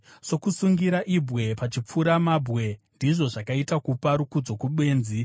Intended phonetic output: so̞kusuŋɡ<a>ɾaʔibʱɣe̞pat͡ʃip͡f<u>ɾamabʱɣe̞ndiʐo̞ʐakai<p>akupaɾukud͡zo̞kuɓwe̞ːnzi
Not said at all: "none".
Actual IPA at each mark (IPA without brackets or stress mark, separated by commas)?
i, u, t